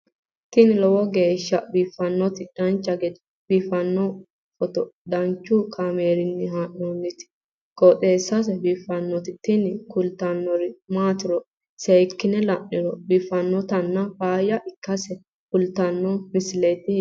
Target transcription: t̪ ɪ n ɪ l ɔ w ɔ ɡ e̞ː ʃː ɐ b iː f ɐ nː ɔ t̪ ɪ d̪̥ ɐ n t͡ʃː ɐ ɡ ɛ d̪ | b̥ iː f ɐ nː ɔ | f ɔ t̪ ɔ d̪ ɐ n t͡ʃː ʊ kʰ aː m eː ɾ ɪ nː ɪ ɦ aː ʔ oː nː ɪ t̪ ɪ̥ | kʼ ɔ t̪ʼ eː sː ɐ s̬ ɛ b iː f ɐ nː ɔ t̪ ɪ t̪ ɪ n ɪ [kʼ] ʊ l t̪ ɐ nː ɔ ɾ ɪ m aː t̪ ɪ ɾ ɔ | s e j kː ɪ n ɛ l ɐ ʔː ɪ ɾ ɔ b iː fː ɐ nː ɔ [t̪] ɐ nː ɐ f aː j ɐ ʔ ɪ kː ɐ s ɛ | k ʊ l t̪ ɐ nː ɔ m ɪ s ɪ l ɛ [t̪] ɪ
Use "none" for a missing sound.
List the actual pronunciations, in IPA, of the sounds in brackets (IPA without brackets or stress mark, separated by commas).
k, t̪, t̪